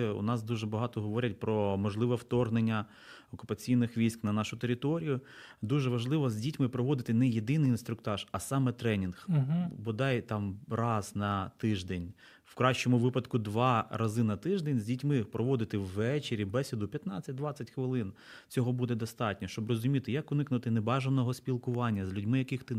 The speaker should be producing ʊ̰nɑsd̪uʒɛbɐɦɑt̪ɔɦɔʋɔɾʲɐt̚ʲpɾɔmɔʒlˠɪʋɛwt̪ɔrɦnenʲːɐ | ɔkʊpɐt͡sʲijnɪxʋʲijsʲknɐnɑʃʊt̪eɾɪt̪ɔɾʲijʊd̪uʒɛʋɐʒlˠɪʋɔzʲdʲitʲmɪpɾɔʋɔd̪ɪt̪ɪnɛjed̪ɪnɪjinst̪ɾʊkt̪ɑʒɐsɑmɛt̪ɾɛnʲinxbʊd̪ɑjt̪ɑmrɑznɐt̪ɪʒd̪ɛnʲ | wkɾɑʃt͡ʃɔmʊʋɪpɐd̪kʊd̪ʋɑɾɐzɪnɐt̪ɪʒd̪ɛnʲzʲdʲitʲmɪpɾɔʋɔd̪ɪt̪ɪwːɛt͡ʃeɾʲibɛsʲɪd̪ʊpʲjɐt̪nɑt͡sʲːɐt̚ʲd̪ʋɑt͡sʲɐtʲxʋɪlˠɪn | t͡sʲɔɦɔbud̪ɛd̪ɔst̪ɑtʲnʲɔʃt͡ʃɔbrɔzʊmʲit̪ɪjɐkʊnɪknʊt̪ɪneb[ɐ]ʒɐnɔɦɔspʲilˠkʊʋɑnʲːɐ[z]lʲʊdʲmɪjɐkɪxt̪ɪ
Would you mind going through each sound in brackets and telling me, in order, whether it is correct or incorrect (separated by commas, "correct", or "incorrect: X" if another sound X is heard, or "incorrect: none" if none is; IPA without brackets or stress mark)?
incorrect: ɑ, correct